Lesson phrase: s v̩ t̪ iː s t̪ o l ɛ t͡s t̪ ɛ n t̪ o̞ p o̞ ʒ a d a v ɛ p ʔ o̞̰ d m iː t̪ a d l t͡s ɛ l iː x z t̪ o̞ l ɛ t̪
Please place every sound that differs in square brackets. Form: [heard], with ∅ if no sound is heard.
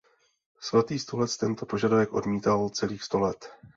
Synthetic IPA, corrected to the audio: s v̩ t̪ iː s t̪ o l ɛ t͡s t̪ ɛ n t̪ o̞ p o̞ ʒ a d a v ɛ [k] ʔ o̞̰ d m iː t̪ a [∅] l t͡s ɛ l iː x [s] t̪ o̞ l ɛ t̪